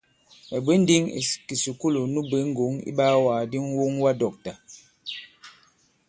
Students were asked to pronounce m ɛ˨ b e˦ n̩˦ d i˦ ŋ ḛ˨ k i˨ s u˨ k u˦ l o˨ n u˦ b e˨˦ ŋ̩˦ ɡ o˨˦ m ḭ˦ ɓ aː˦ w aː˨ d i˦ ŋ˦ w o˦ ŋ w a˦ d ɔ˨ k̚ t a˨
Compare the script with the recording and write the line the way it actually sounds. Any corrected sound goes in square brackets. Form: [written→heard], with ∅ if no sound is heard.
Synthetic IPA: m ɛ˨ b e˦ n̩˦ d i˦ ŋ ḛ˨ k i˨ s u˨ k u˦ l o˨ n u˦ b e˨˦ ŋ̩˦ ɡ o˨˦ [m→ŋ] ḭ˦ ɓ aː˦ w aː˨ d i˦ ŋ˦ w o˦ ŋ w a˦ d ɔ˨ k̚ t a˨